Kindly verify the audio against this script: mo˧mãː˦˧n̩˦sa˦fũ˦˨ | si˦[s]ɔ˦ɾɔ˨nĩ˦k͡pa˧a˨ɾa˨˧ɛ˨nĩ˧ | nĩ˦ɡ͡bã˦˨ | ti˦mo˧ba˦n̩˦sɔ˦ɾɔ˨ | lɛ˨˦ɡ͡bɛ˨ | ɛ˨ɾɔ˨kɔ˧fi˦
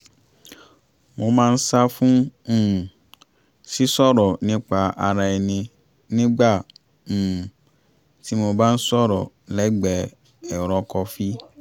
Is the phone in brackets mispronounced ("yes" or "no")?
no